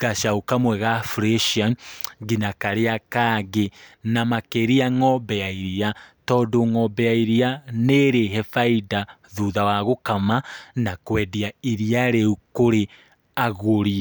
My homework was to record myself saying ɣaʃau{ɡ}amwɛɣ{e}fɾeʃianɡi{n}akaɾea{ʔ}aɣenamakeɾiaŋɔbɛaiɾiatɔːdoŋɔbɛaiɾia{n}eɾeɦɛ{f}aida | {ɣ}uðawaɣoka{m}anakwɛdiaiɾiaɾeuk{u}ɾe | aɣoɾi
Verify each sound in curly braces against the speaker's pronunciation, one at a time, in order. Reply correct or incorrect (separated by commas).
incorrect, incorrect, correct, incorrect, correct, correct, incorrect, correct, incorrect